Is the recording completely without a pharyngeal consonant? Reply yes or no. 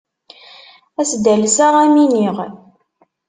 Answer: yes